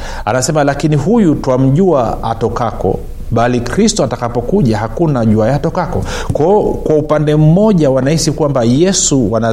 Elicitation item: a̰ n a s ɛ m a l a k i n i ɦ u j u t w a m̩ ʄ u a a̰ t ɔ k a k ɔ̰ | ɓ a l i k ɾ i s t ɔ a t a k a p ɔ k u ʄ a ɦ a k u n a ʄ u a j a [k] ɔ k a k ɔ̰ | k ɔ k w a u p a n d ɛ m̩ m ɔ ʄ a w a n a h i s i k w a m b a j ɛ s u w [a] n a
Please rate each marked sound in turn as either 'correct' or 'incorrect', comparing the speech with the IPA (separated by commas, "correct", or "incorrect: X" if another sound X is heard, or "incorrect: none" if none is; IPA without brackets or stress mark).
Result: incorrect: t, correct